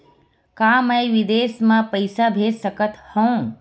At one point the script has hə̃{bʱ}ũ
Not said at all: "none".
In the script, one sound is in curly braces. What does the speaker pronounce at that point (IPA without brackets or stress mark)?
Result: none